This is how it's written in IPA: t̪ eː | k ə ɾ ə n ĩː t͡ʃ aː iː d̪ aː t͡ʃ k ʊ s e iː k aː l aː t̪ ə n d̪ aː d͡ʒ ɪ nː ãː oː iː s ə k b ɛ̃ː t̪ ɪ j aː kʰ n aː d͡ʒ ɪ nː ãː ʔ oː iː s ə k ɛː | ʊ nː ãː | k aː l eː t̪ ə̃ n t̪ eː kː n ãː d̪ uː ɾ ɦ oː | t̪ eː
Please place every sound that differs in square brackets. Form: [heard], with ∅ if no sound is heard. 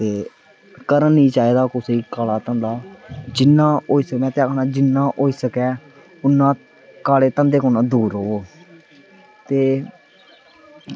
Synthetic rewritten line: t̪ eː | k ə ɾ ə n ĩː t͡ʃ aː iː d̪ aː [∅] k ʊ s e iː k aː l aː t̪ ə n d̪ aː d͡ʒ ɪ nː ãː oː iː s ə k [m] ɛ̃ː t̪ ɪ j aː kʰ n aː d͡ʒ ɪ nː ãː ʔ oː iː s ə k ɛː | ʊ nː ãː | k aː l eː t̪ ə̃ n [d̪] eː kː n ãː d̪ uː ɾ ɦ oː | t̪ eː